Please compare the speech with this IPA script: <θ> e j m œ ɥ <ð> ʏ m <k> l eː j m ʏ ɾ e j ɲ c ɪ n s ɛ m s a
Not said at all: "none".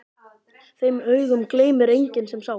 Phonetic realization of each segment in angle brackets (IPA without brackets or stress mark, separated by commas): θ, ɣ, k